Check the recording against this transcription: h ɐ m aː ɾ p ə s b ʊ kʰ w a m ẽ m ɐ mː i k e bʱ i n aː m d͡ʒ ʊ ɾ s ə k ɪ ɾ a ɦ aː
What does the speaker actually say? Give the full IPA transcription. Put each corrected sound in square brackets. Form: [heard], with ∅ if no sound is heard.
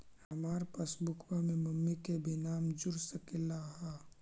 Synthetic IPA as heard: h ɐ m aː ɾ p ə s b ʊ kʰ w a m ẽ m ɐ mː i k e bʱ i n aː m d͡ʒ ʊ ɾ s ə k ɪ [l] a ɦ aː